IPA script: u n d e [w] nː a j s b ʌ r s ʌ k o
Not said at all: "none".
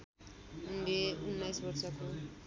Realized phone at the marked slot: u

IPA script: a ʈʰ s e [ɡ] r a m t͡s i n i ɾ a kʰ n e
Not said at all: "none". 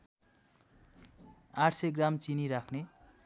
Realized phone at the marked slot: ɡ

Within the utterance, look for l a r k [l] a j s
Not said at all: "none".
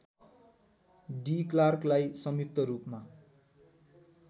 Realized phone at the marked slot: l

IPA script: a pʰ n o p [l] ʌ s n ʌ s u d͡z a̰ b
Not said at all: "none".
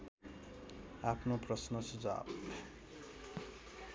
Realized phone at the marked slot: r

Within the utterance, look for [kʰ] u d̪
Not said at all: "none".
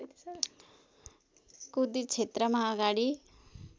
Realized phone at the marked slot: k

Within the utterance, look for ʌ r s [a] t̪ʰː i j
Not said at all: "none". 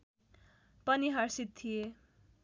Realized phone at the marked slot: i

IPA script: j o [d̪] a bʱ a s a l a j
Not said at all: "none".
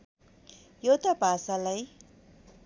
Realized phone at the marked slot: t̪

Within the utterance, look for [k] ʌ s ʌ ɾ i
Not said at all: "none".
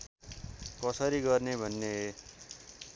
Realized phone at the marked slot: k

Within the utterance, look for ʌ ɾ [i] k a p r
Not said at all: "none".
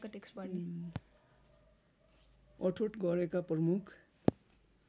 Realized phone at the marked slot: e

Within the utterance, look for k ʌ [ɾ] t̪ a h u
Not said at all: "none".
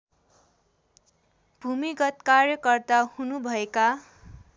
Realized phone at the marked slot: r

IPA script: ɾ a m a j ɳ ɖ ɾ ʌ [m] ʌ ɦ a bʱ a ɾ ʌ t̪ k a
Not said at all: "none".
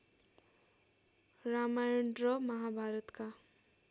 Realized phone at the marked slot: m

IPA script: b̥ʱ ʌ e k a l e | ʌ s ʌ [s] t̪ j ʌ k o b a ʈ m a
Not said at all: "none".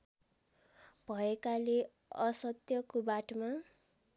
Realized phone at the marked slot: none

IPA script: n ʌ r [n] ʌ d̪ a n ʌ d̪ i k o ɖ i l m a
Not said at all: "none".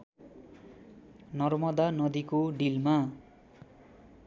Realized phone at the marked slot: m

